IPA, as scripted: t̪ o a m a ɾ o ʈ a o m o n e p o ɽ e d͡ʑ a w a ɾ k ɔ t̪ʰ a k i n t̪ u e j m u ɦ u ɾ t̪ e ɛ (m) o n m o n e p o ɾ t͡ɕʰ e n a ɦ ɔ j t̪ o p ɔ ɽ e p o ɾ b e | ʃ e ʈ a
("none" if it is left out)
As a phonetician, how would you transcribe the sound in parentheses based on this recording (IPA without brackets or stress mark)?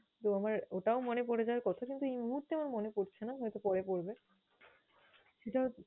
m